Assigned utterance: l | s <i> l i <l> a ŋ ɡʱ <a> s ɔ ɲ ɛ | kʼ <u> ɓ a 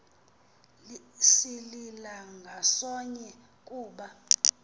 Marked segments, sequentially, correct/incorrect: correct, correct, correct, incorrect: uː

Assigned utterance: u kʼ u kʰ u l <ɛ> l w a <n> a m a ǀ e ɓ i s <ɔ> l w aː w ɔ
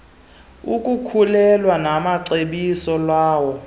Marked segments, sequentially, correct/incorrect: correct, correct, correct

